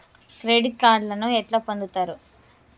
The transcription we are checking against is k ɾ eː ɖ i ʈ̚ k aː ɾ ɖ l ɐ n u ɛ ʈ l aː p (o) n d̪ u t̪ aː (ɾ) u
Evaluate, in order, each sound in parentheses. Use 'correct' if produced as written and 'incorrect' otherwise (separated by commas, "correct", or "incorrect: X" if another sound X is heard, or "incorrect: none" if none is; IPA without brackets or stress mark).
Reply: correct, correct